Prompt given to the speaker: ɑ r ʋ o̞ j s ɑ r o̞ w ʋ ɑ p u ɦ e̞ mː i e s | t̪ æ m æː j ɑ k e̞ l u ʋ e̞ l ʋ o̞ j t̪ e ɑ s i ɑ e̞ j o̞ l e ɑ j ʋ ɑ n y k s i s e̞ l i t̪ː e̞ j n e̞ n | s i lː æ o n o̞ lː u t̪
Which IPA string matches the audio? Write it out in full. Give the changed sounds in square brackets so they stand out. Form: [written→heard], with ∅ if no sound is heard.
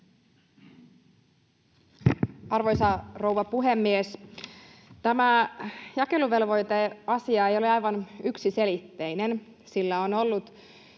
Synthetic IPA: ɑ r ʋ o̞ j s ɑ r o̞ w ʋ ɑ p u ɦ e̞ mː i e s | t̪ æ m [æː→æ] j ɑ k e̞ l u ʋ e̞ l ʋ o̞ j t̪ e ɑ s i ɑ e̞ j o̞ l e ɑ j ʋ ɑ n y k s i s e̞ l i t̪ː e̞ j n e̞ n | s i lː æ o n o̞ lː u t̪

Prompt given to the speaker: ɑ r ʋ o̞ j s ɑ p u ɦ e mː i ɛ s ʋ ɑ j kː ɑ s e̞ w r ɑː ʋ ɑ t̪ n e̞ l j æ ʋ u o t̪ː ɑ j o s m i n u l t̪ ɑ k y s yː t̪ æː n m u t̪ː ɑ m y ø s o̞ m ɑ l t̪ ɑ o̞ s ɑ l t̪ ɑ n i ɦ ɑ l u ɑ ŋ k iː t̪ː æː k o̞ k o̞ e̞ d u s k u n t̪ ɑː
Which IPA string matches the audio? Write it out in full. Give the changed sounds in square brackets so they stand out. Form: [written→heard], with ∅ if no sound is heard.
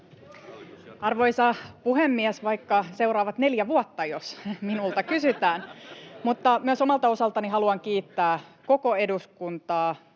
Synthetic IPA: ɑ r ʋ o̞ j s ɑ p u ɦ e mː i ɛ s ʋ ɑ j kː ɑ s e̞ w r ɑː ʋ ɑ t̪ n e̞ l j æ ʋ u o t̪ː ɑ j o s m i n u l t̪ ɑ k y s [yː→y] t̪ æː n m u t̪ː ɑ m y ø s o̞ m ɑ l t̪ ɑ o̞ s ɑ l t̪ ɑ n i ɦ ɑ l u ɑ ŋ k iː t̪ː æː k o̞ k o̞ e̞ d u s k u n t̪ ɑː

